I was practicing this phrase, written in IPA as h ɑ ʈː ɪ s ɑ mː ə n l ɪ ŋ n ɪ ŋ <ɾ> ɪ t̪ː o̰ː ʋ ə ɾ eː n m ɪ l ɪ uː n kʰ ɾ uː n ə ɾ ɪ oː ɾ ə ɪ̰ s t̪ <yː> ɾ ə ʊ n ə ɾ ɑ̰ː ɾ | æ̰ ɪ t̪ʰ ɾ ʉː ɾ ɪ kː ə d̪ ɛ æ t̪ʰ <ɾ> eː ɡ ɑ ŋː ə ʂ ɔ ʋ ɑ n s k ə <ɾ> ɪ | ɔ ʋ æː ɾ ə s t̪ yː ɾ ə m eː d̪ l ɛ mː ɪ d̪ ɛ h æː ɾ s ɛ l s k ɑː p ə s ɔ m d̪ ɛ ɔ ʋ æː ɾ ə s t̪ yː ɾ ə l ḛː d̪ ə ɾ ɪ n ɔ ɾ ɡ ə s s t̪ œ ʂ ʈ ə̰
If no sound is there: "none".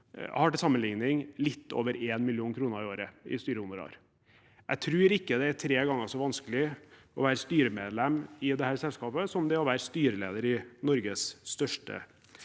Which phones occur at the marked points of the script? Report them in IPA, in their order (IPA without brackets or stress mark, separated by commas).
l, yː, ɾ, l